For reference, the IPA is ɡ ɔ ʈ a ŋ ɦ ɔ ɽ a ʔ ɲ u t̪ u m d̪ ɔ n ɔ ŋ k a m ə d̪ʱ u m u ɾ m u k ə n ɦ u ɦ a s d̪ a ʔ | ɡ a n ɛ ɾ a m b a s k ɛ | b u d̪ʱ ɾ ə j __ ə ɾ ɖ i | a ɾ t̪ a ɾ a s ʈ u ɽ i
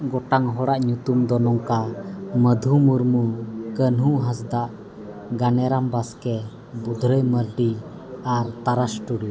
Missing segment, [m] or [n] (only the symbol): m